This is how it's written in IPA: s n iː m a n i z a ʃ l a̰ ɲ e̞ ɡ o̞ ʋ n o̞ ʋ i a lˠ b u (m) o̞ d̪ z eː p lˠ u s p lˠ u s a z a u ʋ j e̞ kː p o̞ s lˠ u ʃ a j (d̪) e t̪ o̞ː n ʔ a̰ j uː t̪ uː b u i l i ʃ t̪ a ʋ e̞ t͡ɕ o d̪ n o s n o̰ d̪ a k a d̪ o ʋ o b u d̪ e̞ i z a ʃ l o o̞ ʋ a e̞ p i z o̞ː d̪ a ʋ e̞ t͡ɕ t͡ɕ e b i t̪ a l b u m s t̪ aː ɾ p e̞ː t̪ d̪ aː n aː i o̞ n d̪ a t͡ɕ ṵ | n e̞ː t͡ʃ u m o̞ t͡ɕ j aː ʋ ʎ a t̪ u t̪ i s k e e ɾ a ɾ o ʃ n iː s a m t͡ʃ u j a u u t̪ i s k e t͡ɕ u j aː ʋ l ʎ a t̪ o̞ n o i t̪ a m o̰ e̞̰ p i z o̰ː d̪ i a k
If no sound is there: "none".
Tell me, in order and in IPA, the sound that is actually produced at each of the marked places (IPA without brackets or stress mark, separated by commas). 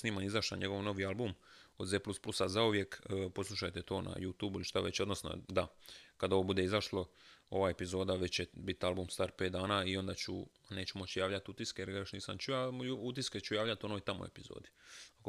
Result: m, t̪